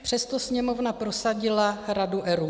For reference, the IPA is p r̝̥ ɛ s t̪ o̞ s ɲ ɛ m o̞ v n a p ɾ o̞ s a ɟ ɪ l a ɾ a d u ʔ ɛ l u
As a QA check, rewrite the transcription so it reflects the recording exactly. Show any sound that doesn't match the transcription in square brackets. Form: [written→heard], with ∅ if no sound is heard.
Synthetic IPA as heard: p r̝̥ ɛ s t̪ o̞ s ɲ ɛ m o̞ v n a p ɾ o̞ s a ɟ ɪ l a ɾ a d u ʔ ɛ [l→ɾ] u